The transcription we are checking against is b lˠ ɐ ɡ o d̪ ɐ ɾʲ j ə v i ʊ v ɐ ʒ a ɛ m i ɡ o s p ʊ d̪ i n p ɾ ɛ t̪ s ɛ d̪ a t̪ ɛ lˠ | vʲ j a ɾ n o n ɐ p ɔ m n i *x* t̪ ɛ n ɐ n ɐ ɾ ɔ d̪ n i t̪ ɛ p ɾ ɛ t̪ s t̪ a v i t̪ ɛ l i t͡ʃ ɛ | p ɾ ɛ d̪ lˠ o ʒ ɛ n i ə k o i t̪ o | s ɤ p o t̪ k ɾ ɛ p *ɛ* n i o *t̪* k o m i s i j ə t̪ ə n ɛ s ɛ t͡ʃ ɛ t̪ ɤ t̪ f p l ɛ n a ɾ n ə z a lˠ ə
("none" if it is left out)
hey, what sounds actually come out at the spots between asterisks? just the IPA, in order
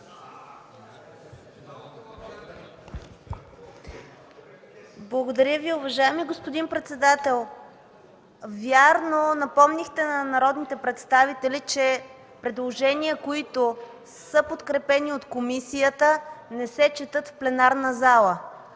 x, ɛ, t̪

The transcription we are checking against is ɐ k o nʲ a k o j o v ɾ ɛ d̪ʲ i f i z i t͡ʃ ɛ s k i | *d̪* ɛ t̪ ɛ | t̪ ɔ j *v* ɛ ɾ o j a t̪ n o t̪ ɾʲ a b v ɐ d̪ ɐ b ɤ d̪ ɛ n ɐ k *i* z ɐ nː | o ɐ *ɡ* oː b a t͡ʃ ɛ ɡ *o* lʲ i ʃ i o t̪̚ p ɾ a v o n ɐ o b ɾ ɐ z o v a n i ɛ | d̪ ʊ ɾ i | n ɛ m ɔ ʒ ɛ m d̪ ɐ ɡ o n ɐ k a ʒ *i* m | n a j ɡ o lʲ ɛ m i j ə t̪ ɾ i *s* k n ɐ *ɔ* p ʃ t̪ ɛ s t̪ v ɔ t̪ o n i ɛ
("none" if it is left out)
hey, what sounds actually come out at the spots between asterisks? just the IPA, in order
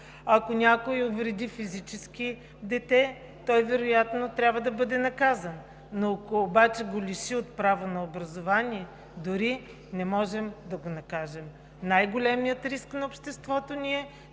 d̪, v, a, k, o, ɛ, s, o

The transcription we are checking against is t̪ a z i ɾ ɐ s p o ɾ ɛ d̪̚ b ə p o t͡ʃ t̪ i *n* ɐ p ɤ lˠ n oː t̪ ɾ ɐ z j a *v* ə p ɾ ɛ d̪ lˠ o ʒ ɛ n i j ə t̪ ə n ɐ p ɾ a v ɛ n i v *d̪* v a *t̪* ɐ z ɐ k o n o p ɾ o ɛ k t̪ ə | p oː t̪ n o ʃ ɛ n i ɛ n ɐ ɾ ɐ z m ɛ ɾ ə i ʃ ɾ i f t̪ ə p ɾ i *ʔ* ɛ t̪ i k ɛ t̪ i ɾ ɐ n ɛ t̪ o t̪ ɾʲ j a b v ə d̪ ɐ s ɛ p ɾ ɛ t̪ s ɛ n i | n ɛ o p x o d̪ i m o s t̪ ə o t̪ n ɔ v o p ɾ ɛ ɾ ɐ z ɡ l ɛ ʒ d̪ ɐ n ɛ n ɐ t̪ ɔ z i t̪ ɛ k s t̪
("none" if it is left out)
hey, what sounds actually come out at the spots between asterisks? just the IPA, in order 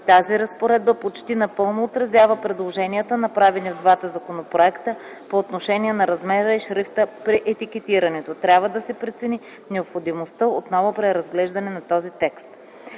n, v, d̪, t̪, ʔ

